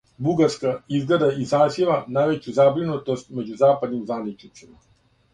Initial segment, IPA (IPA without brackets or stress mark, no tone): b